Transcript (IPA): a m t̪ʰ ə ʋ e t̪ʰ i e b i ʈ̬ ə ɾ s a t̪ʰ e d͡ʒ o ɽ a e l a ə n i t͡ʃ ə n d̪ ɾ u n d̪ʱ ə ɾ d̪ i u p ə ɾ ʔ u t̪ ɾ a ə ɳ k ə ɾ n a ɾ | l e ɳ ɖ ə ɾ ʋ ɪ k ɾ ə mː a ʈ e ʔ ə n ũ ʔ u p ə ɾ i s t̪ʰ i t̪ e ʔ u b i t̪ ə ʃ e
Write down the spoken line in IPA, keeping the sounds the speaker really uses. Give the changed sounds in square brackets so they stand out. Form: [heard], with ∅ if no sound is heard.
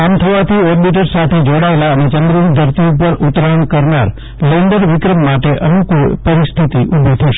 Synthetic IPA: a m t̪ʰ ə ʋ [a] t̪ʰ i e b i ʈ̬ ə ɾ s a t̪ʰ e d͡ʒ o ɽ a e l a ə n [e] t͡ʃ ə n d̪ ɾ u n d̪ʱ ə ɾ [t̪] i u p ə ɾ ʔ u t̪ ɾ a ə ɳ k ə ɾ n a ɾ | l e ɳ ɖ ə ɾ ʋ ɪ k ɾ ə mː a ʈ e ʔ ə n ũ [k] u p ə ɾ i s t̪ʰ i t̪ [i] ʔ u b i [t̪ʰ] ə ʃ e

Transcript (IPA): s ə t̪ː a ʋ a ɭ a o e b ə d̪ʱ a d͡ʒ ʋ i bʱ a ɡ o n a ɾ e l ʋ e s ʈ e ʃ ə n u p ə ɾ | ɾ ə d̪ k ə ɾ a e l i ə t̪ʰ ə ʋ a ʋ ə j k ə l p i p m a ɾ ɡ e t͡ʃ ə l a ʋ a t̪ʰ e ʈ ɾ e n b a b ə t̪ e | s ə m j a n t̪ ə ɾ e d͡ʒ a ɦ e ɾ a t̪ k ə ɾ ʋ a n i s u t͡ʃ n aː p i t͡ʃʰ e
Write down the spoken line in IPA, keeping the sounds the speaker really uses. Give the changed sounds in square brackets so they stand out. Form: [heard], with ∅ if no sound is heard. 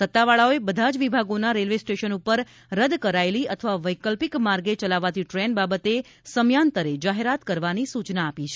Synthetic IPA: s ə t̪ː a ʋ a ɭ a o e b ə d̪ʱ a d͡ʒ ʋ i bʱ a ɡ o n a ɾ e l ʋ e s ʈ e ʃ ə n u p ə ɾ | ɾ ə d̪ k ə ɾ a e l i ə t̪ʰ ə ʋ a ʋ ə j k ə l p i [k] m a ɾ ɡ e t͡ʃ ə l a ʋ a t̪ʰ [i] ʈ ɾ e n b a b ə t̪ e | s ə m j a n t̪ ə ɾ e d͡ʒ a ɦ e ɾ a t̪ k ə ɾ ʋ a n i s u t͡ʃ n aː p i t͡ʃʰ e

